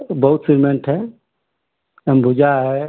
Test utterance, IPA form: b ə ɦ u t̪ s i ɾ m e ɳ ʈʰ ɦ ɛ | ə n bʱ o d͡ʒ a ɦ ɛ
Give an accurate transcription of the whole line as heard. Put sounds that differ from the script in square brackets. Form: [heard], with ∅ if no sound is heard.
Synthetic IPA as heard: b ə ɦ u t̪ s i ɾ m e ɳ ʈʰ ɦ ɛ | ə [m] bʱ [u] d͡ʒ a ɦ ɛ